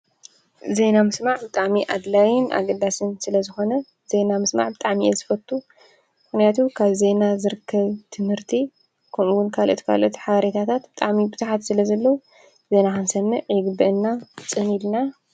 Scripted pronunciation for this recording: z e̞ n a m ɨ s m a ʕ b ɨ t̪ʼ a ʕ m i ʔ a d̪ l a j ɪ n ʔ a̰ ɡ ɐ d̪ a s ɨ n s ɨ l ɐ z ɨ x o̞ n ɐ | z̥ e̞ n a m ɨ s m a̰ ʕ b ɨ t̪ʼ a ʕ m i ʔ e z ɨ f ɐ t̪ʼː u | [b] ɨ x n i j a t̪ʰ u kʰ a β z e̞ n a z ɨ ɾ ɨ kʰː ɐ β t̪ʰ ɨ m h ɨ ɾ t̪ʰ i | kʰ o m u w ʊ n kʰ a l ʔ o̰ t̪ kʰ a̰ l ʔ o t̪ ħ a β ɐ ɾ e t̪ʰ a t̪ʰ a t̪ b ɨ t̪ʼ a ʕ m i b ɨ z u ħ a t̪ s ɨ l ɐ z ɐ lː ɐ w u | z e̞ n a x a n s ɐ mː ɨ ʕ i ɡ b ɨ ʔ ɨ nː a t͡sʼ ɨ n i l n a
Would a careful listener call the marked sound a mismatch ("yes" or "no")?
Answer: yes